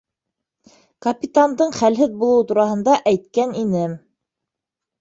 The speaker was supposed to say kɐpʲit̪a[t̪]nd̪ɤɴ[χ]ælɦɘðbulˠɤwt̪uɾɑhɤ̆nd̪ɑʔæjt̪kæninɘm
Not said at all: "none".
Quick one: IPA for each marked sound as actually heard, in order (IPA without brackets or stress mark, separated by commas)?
none, χ